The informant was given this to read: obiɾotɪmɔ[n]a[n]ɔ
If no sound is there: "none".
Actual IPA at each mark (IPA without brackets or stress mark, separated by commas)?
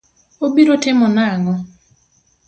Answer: n, ŋ